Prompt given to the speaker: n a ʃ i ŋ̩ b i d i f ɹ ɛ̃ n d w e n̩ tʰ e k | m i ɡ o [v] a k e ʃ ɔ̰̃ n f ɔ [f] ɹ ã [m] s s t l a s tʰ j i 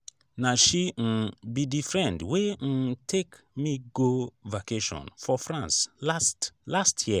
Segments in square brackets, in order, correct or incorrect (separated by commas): correct, correct, incorrect